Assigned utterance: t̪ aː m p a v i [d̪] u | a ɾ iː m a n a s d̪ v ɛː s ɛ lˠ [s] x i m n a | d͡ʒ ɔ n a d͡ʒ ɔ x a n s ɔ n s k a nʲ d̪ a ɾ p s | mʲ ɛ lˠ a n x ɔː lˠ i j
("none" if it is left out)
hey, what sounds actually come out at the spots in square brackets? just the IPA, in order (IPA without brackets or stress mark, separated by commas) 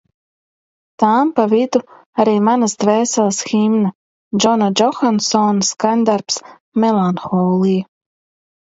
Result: d̪, s